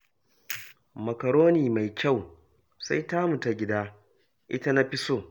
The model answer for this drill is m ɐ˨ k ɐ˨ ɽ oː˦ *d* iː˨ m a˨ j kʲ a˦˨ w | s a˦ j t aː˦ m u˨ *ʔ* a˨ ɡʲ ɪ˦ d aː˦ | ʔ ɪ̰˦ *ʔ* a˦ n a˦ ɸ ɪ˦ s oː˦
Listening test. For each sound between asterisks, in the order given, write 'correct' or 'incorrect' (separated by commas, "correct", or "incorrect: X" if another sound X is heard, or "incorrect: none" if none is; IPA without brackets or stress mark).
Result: incorrect: n, incorrect: t, incorrect: t